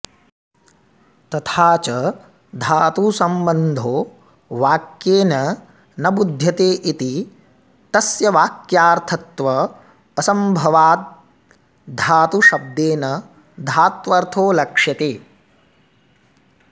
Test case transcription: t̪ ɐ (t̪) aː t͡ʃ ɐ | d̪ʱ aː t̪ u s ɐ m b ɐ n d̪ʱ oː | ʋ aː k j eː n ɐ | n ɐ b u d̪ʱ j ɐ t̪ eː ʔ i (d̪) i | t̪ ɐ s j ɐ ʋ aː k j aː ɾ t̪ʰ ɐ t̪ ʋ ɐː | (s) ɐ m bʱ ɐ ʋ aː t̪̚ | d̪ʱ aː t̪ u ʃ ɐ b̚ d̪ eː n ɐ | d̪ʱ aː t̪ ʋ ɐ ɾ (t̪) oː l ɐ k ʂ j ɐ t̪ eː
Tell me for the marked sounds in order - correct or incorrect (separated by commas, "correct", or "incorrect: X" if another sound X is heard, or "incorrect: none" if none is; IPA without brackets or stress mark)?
incorrect: t̪ʰ, incorrect: t̪, correct, incorrect: t̪ʰ